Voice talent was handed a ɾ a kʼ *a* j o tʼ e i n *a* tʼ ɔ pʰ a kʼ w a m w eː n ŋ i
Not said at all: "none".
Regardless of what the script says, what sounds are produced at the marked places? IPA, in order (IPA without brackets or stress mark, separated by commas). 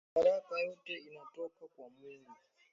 a, a